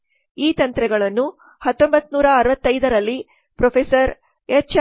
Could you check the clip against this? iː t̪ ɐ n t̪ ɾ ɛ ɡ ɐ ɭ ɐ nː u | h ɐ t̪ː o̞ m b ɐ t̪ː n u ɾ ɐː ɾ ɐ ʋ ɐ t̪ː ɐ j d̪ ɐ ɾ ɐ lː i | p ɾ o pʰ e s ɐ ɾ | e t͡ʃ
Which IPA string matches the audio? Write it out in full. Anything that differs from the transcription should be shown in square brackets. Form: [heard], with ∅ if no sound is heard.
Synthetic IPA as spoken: iː t̪ ɐ n t̪ ɾ ɛ ɡ ɐ ɭ ɐ nː u | h ɐ t̪ː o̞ m b ɐ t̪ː n [uː] ɾ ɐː ɾ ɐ ʋ ɐ t̪ː ɐ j d̪ ɐ ɾ ɐ lː i | p ɾ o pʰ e s ɐ ɾ | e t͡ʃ